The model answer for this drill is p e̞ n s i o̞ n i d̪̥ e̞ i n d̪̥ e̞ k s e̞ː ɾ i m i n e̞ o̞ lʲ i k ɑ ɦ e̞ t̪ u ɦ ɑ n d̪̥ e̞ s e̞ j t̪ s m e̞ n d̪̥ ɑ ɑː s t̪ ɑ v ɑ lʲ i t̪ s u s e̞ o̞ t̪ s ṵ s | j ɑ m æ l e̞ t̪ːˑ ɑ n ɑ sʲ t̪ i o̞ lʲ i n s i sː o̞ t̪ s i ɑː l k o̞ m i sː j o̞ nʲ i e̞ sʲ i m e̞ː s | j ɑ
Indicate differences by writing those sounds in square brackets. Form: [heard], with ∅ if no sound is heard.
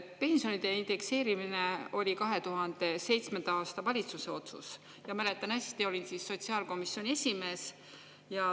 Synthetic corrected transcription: p e̞ n s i o̞ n i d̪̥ e̞ i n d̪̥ e̞ k s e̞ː ɾ i m i n e̞ o̞ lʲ i k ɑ ɦ e̞ t̪ u ɦ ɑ n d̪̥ e̞ s e̞ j t̪ s m e̞ n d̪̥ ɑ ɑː s t̪ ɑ v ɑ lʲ i t̪ s u s e̞ o̞ t̪ s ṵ s | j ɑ m æ l e̞ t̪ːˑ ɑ n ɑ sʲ t̪ i o̞ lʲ i n s i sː o̞ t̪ s i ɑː l k o̞ m i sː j o̞ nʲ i e̞ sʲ i m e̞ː s | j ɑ

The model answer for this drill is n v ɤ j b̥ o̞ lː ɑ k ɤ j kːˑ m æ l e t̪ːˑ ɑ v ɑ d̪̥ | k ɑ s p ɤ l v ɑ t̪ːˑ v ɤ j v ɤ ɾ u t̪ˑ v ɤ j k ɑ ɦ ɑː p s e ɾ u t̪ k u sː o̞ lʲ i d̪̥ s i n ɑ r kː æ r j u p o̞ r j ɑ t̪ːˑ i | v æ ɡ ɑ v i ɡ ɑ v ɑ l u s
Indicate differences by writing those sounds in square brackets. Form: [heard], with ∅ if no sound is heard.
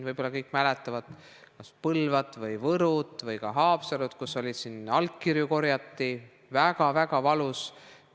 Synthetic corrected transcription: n v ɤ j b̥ o̞ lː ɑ k ɤ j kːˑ m æ l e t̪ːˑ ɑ v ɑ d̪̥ | k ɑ s p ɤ l v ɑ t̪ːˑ v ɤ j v ɤ ɾ u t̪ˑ v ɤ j k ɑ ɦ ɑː p s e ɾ u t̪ k u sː o̞ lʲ i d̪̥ s i n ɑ [l] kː [i] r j u [k] o̞ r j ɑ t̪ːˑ i | v æ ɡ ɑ v [æ] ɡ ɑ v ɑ l u s

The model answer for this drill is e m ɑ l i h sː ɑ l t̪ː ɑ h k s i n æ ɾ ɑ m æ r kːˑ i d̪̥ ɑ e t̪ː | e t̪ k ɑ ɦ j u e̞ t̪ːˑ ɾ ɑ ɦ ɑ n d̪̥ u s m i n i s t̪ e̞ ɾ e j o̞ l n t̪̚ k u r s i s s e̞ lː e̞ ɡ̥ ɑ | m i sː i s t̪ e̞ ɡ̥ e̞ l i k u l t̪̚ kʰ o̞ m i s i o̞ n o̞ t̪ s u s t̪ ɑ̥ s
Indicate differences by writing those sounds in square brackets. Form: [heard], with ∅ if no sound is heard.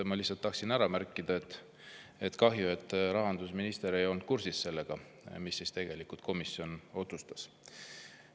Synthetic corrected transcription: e m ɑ l i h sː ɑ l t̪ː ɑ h k s i n æ ɾ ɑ m æ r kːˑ i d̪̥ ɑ e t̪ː | e t̪ k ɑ ɦ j u e̞ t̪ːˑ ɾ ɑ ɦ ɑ n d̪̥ u s m i n i s t̪ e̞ ɾ e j o̞ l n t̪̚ k u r s i s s e̞ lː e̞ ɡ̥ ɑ | m i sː i s t̪ e̞ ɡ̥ e̞ l i k u l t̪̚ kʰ o̞ m i s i o̞ n o̞ t̪ s u s t̪ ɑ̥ s

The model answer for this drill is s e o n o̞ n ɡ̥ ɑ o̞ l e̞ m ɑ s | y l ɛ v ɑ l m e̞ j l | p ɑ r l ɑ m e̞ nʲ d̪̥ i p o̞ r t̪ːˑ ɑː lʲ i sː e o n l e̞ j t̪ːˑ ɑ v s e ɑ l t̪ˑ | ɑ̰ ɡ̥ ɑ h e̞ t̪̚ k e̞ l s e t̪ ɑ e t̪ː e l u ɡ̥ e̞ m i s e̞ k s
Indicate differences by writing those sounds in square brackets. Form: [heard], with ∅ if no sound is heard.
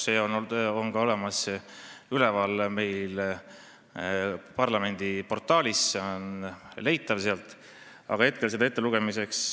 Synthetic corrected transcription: s e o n o̞ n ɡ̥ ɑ o̞ l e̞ m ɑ s | y l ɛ v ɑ l m e̞ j l | p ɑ r l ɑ m e̞ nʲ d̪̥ i p o̞ r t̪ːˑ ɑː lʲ i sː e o n l e̞ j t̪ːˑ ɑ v s e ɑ l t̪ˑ | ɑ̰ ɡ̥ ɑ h e̞ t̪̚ k e̞ l s e [d̪] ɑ e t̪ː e l u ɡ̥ e̞ m i s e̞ k s

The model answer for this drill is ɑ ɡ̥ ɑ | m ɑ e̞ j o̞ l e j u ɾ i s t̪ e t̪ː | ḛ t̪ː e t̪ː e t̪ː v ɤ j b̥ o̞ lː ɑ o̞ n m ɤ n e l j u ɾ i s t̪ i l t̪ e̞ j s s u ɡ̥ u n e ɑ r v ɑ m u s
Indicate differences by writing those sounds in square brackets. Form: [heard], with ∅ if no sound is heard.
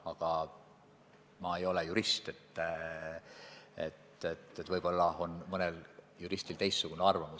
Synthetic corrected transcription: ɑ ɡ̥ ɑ | m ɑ e̞ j o̞ l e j u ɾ i s t̪ e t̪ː | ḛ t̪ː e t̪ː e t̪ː v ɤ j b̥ o̞ lː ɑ o̞ n m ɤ n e l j u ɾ i s t̪ i l t̪ e̞ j s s u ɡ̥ u n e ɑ r v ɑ m u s

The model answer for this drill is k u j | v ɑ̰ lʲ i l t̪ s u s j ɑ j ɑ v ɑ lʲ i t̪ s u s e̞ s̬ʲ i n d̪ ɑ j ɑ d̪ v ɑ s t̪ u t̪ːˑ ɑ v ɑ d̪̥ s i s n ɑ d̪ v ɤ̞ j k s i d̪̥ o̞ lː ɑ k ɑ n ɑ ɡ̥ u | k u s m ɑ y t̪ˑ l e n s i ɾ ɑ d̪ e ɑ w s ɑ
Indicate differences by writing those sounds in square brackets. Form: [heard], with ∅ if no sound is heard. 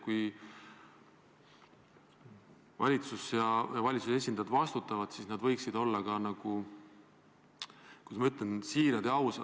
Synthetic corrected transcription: k u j | v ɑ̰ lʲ i [∅] t̪ s u s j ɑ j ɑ v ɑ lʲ i t̪ s u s e̞ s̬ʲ i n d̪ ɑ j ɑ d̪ v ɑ s t̪ u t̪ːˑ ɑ v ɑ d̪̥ s i s n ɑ d̪ v ɤ̞ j k s i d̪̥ o̞ lː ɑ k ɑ n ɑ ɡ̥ u | k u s m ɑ y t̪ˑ l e n s [iː] ɾ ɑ d̪ e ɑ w s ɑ

